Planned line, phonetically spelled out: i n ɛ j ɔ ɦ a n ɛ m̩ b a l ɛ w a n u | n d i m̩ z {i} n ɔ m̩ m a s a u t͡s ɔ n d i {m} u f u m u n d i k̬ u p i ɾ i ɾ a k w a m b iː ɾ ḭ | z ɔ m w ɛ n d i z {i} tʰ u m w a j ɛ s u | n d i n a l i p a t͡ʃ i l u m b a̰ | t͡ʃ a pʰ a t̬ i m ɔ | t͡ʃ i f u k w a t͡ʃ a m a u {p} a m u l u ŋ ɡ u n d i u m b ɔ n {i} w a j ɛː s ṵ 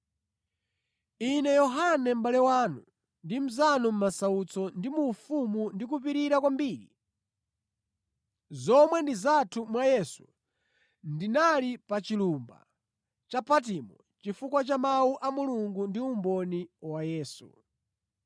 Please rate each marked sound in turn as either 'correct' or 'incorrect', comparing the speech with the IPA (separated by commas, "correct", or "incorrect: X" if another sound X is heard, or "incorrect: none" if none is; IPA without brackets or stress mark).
incorrect: a, correct, incorrect: a, incorrect: ʔ, correct